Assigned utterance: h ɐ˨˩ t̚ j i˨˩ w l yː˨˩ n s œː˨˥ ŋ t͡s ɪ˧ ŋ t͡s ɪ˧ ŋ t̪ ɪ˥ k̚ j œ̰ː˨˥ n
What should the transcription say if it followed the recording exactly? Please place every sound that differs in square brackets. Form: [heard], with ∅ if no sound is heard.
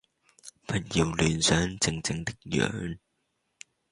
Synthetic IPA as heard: [f] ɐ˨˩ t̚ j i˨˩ w l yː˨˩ n s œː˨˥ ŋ t͡s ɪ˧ ŋ t͡s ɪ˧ ŋ t̪ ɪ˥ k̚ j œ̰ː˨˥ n